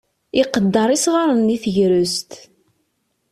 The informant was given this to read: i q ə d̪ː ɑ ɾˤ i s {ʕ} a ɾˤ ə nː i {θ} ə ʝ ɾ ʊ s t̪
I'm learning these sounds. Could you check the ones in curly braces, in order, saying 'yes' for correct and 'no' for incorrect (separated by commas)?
no, yes